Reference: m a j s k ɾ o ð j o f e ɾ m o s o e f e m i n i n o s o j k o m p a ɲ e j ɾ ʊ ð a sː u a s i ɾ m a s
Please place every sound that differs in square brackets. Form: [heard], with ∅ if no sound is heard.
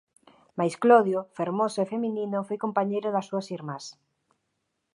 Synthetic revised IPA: m a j s k [l] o ð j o f e ɾ m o s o e f e m i n i n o [f] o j k o m p a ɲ e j ɾ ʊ ð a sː u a s i ɾ m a s